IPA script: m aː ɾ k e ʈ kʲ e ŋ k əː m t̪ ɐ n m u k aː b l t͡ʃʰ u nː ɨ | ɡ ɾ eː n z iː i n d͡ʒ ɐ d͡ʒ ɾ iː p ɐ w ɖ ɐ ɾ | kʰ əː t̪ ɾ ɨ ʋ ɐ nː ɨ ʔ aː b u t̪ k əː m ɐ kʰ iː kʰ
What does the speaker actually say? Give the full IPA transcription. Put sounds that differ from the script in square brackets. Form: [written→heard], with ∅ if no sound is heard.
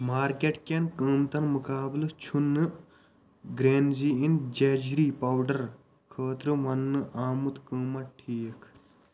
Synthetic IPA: m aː ɾ k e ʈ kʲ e [ŋ→n] k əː m t̪ ɐ n m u k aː b l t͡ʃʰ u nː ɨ | ɡ ɾ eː n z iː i n d͡ʒ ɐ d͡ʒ ɾ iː p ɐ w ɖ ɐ ɾ | kʰ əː t̪ ɾ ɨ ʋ ɐ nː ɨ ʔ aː [b→m] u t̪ k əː m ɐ [kʰ→ʈʰ] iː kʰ